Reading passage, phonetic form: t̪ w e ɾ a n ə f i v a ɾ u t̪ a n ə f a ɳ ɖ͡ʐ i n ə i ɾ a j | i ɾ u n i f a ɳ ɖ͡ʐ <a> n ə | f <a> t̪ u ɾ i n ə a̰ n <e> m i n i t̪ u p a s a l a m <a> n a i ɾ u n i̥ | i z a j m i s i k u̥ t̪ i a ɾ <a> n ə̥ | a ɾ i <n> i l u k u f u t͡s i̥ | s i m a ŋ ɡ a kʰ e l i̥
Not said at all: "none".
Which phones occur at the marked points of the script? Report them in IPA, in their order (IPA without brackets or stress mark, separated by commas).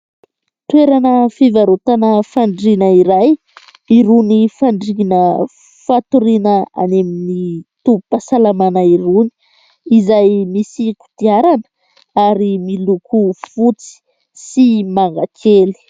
i, a, e, a, a, m